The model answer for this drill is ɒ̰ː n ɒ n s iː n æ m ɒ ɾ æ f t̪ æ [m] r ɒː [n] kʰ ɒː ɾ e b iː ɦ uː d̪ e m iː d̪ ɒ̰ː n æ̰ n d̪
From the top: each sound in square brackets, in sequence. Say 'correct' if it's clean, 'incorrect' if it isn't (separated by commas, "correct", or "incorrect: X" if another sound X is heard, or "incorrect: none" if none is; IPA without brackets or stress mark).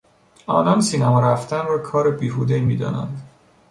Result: incorrect: n, incorrect: none